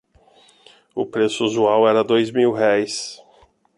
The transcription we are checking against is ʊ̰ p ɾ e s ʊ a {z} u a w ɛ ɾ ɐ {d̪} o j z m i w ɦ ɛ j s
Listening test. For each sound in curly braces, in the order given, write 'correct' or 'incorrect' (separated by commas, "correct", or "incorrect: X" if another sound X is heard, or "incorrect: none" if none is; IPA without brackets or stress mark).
correct, correct